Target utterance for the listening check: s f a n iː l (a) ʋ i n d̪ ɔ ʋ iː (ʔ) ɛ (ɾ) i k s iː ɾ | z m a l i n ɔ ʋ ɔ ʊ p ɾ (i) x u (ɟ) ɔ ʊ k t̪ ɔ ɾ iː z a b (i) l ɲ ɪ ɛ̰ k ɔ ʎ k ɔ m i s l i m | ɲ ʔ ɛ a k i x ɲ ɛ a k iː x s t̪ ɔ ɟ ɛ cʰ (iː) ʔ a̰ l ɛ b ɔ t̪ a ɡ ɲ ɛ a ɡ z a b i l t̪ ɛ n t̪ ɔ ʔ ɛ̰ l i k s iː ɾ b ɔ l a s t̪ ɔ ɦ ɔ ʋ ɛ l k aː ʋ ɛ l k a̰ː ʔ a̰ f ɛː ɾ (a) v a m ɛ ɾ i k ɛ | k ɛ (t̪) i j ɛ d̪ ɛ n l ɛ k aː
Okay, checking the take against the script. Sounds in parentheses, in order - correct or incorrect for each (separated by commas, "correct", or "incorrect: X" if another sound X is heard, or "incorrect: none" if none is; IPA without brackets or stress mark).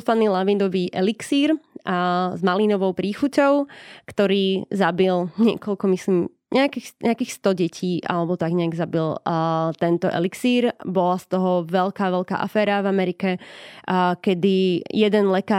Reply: correct, correct, incorrect: l, incorrect: iː, incorrect: c, correct, correct, correct, incorrect: d̪